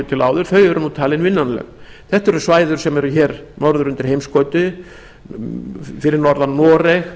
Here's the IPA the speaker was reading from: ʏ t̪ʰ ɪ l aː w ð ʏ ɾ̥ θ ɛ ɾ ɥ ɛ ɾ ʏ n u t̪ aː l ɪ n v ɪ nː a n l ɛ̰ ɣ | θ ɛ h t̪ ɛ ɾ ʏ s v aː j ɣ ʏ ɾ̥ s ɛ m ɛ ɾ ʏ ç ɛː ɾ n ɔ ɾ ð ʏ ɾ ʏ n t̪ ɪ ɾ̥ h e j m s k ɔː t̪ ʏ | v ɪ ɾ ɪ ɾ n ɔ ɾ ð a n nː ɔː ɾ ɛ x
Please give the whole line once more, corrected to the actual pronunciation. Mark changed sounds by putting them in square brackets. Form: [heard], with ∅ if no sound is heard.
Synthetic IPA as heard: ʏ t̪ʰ ɪ l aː w ð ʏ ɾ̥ θ [œ] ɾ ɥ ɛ ɾ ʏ n u [t̪ʰ] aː l ɪ n v ɪ nː a n l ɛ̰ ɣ | θ ɛ h t̪ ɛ ɾ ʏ s v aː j [ð] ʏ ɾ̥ s ɛ m ɛ ɾ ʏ ç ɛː ɾ n ɔ ɾ ð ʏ ɾ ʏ n t̪ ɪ ɾ̥ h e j m s k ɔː t̪ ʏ | [f] ɪ ɾ ɪ ɾ n ɔ ɾ ð a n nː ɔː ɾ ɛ x